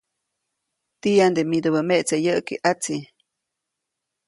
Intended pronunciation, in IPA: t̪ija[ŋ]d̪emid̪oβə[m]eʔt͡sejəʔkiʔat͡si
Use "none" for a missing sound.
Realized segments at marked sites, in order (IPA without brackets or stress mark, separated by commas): n, m